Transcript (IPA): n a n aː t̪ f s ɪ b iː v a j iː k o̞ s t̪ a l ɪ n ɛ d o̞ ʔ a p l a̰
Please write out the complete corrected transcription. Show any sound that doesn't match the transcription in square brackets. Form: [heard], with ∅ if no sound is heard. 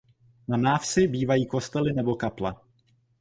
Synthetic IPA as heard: n a n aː [∅] f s ɪ b iː v a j iː k o̞ s t̪ [ɛ] l ɪ n ɛ [b] o̞ [k] a p l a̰